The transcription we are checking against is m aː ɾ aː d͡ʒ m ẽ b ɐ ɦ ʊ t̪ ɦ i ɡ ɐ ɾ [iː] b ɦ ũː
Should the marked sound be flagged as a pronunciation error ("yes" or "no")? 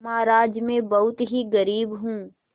no